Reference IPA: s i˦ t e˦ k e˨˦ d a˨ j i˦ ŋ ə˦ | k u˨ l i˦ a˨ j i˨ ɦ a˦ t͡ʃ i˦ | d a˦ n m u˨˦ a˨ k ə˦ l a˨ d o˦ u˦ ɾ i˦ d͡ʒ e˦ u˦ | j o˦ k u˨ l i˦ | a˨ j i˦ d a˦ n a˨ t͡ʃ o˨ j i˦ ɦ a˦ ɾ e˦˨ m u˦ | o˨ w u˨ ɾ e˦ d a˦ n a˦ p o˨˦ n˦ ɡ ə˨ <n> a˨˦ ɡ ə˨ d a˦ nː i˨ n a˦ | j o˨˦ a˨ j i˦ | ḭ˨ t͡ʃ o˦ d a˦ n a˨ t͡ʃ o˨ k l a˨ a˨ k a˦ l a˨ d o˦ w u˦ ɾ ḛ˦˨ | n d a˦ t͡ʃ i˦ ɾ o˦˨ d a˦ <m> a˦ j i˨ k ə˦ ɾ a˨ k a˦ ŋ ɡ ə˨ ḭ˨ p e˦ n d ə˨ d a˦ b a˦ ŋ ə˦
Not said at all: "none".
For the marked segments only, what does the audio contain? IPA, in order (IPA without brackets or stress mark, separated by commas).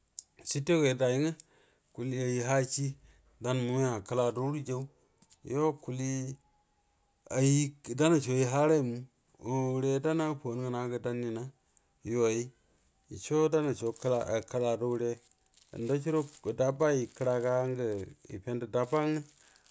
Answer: n, b